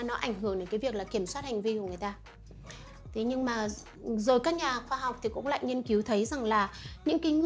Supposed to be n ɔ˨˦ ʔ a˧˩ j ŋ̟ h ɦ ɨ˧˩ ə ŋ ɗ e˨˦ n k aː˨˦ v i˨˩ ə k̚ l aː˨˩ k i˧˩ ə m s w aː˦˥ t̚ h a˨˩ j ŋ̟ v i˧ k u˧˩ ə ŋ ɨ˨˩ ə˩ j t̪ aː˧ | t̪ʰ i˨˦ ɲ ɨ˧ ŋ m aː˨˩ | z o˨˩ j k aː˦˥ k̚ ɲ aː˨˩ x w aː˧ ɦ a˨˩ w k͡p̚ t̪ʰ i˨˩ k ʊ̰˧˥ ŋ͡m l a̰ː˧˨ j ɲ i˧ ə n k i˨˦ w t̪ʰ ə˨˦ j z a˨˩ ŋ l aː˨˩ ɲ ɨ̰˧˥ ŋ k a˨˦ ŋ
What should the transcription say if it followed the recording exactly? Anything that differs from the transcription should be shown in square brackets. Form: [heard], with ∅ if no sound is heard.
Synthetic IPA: n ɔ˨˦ ʔ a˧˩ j ŋ̟ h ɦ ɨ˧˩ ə ŋ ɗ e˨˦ n k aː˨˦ v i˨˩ ə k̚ l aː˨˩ k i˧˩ ə m s w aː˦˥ t̚ h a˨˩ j ŋ̟ v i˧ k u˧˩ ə ŋ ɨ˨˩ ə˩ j t̪ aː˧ | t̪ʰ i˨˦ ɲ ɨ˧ ŋ m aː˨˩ | z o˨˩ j k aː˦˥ k̚ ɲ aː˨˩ x w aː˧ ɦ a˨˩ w k͡p̚ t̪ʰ i˨˩ k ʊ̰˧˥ ŋ͡m l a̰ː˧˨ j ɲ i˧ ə n k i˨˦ w t̪ʰ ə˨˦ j z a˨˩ ŋ l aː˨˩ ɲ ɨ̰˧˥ ŋ k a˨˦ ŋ

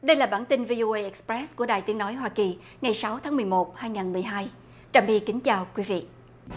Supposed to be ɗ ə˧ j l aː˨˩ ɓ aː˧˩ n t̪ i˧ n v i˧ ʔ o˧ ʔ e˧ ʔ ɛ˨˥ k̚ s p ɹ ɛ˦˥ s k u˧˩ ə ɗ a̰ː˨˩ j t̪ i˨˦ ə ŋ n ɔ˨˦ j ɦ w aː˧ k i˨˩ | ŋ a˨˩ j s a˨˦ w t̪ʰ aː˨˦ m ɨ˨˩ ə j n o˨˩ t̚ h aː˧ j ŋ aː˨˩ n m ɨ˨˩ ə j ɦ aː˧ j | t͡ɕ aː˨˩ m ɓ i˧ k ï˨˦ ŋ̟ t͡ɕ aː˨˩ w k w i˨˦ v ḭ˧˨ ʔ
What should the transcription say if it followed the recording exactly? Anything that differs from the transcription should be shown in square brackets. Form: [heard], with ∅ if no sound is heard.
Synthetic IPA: ɗ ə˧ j l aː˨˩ ɓ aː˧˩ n t̪ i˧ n v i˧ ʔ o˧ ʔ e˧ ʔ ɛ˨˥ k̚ s p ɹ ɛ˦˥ s k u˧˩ ə ɗ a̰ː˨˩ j t̪ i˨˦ ə ŋ n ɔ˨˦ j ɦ w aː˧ k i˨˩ | ŋ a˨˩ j s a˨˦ w t̪ʰ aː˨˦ m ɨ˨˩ ə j [m] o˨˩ t̚ h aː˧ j ŋ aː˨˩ n m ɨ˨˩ ə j ɦ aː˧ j | t͡ɕ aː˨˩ m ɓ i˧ k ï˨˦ ŋ̟ t͡ɕ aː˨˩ w k w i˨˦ v ḭ˧˨ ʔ

